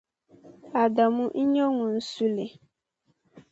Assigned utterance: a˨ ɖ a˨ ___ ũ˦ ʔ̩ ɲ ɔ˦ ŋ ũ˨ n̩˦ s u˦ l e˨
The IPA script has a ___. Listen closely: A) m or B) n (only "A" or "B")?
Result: A